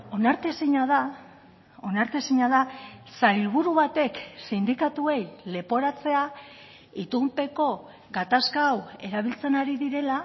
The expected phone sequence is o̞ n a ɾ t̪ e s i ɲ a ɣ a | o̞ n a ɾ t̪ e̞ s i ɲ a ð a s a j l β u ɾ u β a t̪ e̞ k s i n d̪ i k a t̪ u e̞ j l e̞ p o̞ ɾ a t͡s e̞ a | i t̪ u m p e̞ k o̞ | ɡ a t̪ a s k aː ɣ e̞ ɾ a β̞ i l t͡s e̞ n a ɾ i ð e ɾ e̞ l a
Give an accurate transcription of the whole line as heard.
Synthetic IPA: o̞ n a ɾ t̪ e s i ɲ a ð a | o̞ n a ɾ t̪ e̞ s i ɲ a ð a s a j l β u ɾ u β a t̪ e̞ k s i n d̪ i k a t̪ u e̞ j l e̞ p o̞ ɾ a t͡s e̞ a | i t̪ u m p e̞ k o̞ | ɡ a t̪ a s k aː w e̞ ɾ a β̞ i l t͡s e̞ n a ɾ i ð i ɾ e̞ l a